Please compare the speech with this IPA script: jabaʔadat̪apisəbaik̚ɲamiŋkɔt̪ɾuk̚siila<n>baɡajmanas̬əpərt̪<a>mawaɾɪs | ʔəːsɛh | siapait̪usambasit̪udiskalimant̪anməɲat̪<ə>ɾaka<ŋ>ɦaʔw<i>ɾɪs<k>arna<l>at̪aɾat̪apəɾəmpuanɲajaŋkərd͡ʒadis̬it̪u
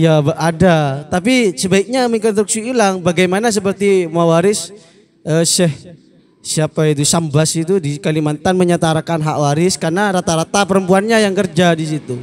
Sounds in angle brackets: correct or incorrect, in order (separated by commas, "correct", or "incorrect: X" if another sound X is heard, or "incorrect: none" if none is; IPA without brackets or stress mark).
incorrect: ŋ, incorrect: i, incorrect: a, incorrect: n, incorrect: a, correct, incorrect: ɾ